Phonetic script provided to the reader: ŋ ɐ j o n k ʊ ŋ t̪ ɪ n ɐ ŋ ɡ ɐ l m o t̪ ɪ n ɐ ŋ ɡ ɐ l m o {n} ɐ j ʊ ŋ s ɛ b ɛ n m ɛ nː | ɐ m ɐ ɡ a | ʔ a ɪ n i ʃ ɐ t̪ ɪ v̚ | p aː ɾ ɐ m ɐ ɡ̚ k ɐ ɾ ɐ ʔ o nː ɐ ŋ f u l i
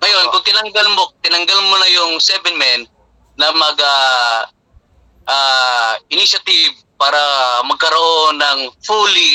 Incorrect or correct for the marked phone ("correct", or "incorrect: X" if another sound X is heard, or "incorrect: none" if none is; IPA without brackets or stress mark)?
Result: correct